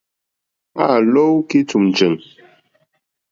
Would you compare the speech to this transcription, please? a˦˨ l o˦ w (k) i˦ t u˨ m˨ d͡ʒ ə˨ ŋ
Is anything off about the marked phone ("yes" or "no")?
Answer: no